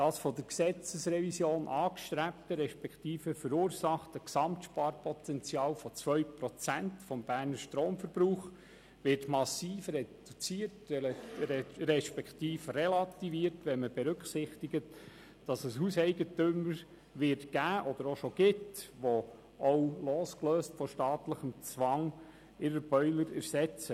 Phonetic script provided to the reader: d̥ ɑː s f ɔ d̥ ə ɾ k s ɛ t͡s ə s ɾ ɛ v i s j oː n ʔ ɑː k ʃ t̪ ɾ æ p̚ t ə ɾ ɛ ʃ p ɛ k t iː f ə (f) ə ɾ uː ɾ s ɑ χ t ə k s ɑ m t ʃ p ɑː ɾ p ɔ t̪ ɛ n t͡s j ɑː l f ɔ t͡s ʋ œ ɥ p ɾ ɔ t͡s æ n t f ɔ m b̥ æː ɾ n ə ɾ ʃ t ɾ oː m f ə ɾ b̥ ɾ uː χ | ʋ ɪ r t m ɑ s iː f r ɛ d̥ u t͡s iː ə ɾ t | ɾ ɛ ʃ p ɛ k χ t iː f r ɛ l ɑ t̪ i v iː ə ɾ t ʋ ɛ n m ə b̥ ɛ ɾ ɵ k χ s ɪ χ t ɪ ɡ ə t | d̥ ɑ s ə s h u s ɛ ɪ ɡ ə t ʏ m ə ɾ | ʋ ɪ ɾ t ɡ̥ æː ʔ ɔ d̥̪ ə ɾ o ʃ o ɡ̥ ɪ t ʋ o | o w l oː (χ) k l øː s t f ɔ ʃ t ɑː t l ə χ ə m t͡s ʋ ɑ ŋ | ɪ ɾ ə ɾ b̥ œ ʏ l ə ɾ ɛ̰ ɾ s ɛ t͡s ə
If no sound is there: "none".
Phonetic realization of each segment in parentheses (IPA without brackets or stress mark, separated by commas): f, s